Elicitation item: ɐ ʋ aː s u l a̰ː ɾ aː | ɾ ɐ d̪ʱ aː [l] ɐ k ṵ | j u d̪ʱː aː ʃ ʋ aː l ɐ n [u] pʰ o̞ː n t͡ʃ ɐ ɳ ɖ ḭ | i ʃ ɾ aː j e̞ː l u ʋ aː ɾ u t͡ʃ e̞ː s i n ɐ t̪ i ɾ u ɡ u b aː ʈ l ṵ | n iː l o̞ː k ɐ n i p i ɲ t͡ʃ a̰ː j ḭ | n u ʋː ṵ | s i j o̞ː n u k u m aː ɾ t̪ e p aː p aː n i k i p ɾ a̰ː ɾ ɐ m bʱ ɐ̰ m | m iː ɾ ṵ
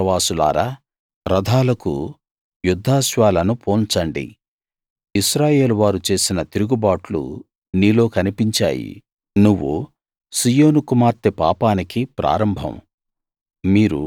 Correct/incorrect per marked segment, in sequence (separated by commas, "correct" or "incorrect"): correct, correct